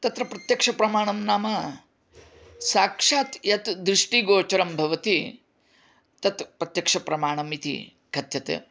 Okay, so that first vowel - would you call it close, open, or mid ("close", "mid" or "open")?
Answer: open